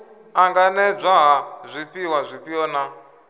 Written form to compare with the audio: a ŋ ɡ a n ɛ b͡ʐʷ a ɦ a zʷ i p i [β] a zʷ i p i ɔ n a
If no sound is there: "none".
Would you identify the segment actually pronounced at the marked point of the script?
w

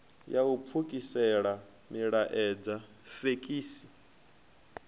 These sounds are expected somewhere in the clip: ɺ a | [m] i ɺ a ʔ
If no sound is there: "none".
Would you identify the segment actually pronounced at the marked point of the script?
m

